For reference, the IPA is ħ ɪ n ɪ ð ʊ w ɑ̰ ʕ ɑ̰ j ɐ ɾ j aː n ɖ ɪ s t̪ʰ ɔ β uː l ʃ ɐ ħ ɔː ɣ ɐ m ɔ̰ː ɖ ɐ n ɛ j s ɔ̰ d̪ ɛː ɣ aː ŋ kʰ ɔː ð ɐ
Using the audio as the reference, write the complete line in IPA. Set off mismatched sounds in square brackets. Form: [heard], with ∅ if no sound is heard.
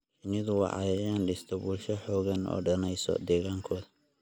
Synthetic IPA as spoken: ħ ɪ n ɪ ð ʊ w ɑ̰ ʕ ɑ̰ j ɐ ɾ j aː n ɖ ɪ s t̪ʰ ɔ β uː l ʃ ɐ ħ ɔː ɣ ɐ [n] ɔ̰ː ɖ ɐ n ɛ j s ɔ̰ d̪ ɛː ɣ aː ŋ kʰ ɔː ð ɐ